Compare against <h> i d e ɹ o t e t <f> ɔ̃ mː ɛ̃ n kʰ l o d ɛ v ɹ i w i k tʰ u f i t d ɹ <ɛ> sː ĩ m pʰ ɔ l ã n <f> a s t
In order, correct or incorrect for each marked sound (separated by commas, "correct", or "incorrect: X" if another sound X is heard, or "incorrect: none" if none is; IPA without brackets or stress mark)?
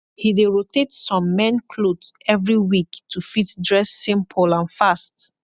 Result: correct, incorrect: s, correct, correct